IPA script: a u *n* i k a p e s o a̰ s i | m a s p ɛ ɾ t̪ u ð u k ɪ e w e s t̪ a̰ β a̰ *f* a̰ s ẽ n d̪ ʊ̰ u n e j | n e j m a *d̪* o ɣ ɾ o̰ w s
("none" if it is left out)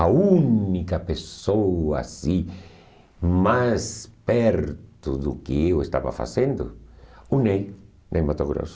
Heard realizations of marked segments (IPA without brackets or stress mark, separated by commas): n, f, t̪